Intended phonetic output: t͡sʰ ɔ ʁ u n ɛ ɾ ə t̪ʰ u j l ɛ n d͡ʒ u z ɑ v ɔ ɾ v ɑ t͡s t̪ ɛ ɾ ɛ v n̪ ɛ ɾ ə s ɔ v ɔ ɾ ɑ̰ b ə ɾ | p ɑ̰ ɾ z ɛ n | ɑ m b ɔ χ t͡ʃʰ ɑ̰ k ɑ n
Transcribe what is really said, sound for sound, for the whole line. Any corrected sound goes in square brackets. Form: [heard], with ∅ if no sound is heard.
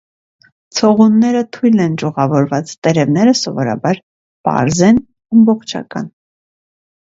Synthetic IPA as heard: t͡sʰ ɔ ʁ u [nː] ɛ ɾ ə t̪ʰ u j l ɛ n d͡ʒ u [ʁ] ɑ v ɔ ɾ v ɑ t͡s t̪ ɛ ɾ ɛ v n̪ ɛ ɾ ə s ɔ v ɔ ɾ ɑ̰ b [ɑ] ɾ | p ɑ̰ ɾ z ɛ n | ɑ m b ɔ χ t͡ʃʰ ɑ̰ k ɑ n